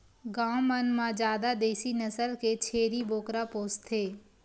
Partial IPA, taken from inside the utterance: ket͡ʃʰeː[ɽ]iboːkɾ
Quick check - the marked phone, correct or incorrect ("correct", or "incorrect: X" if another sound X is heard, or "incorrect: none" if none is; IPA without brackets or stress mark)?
incorrect: ɾ